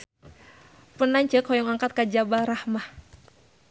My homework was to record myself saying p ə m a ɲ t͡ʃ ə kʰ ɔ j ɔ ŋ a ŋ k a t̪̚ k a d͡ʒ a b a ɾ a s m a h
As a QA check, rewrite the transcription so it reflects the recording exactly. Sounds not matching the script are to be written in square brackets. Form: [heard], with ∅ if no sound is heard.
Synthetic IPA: p ə [n] a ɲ t͡ʃ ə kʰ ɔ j ɔ ŋ a ŋ k a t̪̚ k a d͡ʒ a b a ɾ a [h] m a h